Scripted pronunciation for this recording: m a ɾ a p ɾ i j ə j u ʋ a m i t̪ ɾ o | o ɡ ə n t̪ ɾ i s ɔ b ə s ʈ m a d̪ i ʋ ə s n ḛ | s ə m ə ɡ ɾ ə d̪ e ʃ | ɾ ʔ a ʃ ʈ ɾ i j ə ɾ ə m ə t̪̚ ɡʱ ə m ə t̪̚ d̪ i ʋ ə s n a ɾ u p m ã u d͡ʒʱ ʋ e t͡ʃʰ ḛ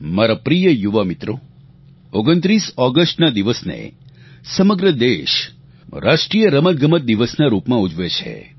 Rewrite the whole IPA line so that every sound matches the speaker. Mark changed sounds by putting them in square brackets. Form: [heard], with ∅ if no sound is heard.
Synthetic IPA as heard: m a ɾ a p ɾ i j ə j u ʋ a m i t̪ ɾ o | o ɡ ə n t̪ ɾ i s ɔ [ɡ] ə s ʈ [n] a d̪ i ʋ ə s n ḛ | s ə m ə ɡ ɾ ə d̪ e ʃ | ɾ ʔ a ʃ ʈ ɾ i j ə ɾ ə m ə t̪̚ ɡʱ ə m ə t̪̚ d̪ i ʋ ə s n a ɾ u p m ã u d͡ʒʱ ʋ e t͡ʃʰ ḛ

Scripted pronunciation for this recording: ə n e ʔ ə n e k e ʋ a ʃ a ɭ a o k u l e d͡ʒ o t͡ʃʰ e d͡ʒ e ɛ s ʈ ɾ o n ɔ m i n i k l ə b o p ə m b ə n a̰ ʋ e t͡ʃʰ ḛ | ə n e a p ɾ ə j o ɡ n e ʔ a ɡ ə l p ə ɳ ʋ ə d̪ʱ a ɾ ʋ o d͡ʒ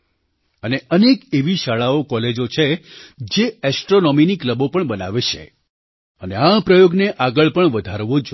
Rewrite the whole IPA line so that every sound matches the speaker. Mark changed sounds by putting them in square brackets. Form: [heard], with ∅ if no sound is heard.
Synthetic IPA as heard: ə n e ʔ ə n e k e ʋ [i] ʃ a ɭ a o k [ɔ] l e d͡ʒ o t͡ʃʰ e d͡ʒ e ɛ s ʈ ɾ o n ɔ m i n i k l ə b o p ə [ɳ] b ə n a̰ ʋ e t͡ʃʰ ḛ | ə n e a p ɾ ə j o ɡ n e ʔ a ɡ ə [ɭ] p ə ɳ ʋ ə d̪ʱ a ɾ ʋ o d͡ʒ

